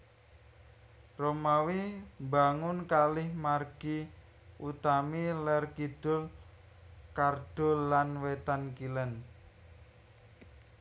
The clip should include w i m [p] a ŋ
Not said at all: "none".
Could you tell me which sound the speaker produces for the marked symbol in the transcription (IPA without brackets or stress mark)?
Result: b